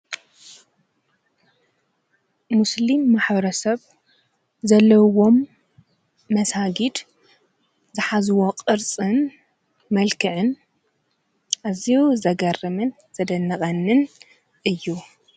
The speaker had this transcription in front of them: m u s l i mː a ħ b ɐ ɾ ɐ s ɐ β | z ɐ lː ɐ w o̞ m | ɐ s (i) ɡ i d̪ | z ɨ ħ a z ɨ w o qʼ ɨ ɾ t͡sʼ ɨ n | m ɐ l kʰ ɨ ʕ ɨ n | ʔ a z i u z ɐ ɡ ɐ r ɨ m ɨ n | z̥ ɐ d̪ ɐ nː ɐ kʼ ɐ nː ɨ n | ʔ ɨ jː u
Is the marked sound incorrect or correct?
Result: incorrect